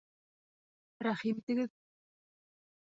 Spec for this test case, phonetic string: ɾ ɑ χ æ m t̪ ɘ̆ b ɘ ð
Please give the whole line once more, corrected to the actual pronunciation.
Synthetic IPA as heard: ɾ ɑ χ i m t̪ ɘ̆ ɡ ɘ ð